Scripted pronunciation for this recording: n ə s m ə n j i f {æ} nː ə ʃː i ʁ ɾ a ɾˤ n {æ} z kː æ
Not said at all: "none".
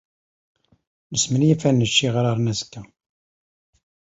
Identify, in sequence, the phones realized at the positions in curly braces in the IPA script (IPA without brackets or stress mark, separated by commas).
æ, æ